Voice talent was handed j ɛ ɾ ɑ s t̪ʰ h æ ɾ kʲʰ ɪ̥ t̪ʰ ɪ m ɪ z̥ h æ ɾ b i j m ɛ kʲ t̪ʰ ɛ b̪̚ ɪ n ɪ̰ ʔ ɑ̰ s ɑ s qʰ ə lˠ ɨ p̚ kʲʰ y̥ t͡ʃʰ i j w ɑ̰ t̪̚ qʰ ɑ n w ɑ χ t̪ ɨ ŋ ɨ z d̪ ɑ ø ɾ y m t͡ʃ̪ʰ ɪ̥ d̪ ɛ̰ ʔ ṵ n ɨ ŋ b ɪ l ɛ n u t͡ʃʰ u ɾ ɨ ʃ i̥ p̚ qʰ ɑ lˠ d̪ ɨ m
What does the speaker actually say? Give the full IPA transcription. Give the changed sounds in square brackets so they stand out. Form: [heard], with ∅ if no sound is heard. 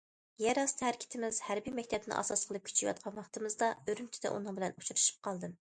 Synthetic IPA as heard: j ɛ ɾ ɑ s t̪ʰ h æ ɾ kʲʰ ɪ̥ t̪ʰ ɪ m ɪ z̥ h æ ɾ b i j m ɛ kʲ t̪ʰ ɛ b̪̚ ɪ n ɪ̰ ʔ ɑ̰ s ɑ s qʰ ə lˠ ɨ p̚ kʲʰ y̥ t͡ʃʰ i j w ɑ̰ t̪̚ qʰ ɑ n w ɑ χ t̪ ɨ [m] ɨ z d̪ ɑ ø ɾ y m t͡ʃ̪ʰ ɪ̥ d̪ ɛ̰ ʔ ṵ n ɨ ŋ b ɪ l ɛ n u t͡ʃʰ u ɾ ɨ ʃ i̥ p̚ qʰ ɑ lˠ d̪ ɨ m